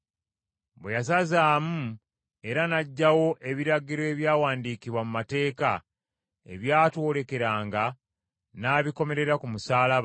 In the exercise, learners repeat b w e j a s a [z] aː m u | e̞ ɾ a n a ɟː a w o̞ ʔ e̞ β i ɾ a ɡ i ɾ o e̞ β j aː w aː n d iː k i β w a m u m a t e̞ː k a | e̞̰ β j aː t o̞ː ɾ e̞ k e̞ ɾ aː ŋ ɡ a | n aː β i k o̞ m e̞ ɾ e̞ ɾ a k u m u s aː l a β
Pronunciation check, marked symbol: correct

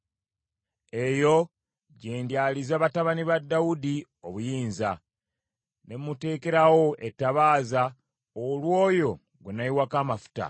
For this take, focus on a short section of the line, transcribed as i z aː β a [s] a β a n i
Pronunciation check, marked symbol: incorrect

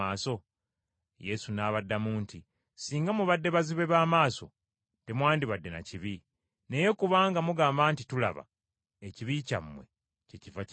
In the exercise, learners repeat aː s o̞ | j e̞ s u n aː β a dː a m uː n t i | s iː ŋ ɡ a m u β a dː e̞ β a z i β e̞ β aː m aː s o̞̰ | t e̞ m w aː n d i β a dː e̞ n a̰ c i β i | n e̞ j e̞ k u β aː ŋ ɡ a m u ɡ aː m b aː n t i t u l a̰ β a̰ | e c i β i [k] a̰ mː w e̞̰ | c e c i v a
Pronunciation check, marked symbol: incorrect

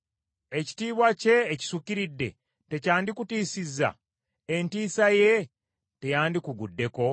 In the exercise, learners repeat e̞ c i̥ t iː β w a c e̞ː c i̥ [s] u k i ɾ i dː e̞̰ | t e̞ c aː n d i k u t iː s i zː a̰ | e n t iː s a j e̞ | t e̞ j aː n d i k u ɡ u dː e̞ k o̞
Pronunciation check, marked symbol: correct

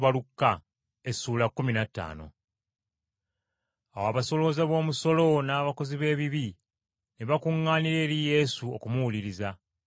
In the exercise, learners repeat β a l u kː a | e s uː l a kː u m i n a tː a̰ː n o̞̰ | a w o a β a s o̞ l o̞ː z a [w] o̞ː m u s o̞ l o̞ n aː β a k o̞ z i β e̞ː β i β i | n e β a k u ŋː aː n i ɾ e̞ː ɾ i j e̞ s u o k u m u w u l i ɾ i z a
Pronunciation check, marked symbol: incorrect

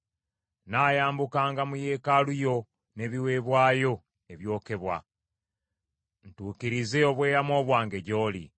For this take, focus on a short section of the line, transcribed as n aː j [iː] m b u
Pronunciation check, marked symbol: incorrect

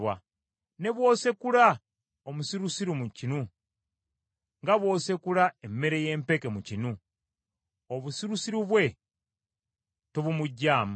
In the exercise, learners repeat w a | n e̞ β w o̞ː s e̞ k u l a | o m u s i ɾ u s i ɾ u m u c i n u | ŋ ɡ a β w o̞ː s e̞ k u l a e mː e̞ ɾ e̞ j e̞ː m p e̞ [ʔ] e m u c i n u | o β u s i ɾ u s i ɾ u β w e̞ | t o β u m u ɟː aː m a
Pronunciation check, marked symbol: incorrect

